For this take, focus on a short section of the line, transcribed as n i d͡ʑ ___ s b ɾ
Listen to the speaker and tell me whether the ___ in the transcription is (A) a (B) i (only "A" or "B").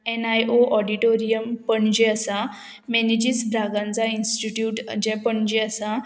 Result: B